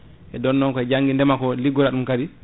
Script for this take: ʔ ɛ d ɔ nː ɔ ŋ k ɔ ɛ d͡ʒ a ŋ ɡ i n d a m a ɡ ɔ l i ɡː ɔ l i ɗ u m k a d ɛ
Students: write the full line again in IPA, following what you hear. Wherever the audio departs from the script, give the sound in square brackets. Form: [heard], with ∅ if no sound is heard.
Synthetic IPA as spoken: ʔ ɛ d ɔ nː ɔ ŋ k ɔ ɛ d͡ʒ a ŋ ɡ i n d [ɛ] m a [k] ɔ l i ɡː ɔ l [a] ɗ u m k a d [i]